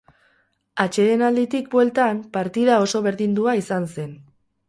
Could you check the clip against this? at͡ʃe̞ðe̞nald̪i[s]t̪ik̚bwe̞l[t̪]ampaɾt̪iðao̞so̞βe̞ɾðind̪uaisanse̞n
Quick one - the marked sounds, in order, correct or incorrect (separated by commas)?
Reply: incorrect, correct